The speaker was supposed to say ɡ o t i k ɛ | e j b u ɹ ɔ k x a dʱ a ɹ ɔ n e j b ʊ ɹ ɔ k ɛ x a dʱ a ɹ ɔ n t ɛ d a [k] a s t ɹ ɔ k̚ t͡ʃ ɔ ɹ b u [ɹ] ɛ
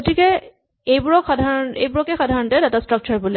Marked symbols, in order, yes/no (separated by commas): no, no